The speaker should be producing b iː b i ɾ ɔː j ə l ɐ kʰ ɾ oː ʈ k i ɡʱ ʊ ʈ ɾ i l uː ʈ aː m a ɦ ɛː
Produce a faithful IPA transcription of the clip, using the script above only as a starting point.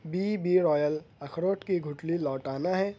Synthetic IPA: b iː b i ɾ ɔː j ə l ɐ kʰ ɾ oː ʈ k i ɡʱ ʊ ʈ l i l ɔː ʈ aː n a ɦ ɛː